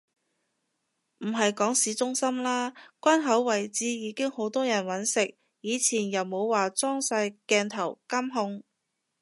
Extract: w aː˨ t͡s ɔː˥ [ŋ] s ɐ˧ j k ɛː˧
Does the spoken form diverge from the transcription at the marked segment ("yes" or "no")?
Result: no